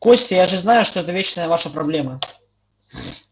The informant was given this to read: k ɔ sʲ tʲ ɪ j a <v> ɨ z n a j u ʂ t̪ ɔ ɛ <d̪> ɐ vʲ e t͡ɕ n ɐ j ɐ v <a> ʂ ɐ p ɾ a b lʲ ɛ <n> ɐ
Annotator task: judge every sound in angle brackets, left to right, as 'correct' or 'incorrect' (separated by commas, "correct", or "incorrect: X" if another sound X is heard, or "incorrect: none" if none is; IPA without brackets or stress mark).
incorrect: ʐ, incorrect: t̪, correct, incorrect: m